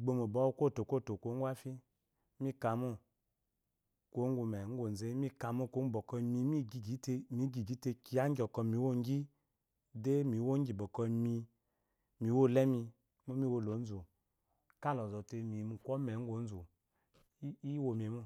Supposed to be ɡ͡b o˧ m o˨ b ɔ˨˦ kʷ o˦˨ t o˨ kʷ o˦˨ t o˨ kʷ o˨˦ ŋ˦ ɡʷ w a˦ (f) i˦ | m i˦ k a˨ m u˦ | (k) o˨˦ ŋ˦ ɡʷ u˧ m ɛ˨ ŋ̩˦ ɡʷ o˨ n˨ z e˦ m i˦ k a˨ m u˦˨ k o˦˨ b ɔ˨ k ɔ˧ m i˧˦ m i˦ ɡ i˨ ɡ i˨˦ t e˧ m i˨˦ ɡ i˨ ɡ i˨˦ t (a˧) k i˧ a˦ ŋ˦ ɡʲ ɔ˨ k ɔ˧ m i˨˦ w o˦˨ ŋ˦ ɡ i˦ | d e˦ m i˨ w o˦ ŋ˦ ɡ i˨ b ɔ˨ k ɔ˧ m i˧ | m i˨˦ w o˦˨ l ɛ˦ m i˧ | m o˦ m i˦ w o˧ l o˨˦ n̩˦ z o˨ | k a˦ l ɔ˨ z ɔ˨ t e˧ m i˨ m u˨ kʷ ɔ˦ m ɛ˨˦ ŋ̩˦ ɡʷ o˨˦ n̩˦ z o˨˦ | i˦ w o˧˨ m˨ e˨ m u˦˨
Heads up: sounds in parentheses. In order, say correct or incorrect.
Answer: correct, correct, incorrect: e˧

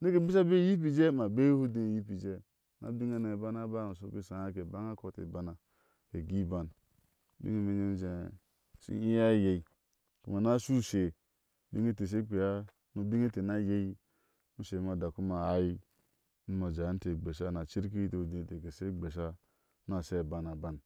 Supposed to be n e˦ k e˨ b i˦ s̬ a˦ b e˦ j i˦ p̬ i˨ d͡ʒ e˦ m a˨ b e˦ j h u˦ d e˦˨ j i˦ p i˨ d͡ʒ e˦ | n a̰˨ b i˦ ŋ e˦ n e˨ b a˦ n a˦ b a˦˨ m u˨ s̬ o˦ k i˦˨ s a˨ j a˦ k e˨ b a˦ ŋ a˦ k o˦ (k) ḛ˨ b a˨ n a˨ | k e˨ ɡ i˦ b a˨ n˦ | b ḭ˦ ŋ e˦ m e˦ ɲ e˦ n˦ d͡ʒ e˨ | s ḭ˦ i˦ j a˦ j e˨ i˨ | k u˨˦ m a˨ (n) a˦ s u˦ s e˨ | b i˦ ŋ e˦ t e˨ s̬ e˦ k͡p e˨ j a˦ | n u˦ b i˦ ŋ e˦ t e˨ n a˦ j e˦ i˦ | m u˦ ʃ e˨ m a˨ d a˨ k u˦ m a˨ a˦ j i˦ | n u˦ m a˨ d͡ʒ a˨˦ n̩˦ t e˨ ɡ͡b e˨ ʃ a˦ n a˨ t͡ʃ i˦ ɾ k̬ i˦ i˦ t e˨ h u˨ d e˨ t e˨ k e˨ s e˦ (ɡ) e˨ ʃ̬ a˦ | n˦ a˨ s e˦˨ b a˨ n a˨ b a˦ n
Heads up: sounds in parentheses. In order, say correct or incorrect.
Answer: incorrect: t, correct, incorrect: ɡ͡b

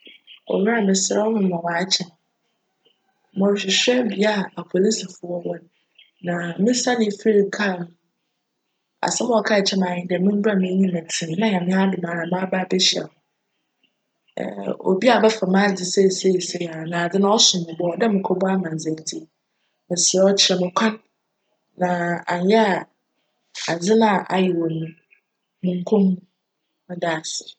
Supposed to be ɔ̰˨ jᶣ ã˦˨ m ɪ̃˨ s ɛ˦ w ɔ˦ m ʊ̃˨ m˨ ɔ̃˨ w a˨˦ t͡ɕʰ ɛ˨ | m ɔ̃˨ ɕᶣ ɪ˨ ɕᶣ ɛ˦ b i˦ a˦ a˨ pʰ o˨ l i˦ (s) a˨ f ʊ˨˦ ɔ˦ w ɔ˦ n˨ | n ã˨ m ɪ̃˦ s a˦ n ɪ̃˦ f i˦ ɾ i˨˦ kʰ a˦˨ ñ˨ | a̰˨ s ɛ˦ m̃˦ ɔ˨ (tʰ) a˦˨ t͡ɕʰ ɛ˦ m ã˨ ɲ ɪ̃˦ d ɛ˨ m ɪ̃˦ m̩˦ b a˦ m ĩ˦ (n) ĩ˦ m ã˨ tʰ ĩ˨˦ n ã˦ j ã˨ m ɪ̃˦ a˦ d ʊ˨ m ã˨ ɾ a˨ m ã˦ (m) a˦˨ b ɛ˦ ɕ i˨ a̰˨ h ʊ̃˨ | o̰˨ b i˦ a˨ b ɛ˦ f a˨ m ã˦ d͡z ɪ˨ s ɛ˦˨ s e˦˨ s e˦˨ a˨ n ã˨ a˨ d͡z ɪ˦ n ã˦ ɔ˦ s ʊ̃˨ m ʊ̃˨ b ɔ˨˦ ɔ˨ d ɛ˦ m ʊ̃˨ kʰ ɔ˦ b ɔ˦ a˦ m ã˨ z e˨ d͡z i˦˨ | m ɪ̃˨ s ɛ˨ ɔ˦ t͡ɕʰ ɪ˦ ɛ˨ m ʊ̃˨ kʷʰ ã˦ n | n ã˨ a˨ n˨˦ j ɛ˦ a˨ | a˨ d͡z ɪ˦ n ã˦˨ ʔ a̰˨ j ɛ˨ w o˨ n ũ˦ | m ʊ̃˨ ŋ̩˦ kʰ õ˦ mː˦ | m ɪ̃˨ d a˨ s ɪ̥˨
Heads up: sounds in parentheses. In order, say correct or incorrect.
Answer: correct, incorrect: kʰ, incorrect: ɲ, incorrect: b

